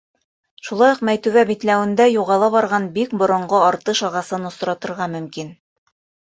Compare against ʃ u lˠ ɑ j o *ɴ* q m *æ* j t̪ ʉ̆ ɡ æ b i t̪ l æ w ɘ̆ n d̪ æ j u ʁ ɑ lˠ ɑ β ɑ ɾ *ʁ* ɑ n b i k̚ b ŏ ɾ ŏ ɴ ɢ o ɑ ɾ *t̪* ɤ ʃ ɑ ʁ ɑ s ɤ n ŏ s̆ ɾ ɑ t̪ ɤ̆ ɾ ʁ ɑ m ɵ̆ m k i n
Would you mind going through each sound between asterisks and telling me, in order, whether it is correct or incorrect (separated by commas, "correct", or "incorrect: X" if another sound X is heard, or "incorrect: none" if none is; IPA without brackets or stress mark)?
incorrect: none, correct, correct, correct